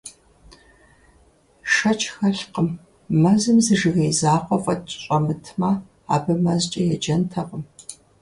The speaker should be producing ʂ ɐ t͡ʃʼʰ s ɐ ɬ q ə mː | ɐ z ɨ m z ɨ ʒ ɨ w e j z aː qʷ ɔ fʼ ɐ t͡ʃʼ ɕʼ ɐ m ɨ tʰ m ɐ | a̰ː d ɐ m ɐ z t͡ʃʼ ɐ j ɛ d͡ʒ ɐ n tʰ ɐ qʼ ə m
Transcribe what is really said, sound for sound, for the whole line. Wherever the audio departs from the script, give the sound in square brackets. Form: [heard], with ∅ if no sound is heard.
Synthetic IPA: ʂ ɐ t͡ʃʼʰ [x] ɐ ɬ q ə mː | ɐ z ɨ m z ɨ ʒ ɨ [ɣ] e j z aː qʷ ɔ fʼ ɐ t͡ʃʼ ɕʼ ɐ m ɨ tʰ m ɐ | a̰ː [b] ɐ m ɐ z t͡ʃʼ ɐ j ɛ d͡ʒ ɐ n tʰ ɐ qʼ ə m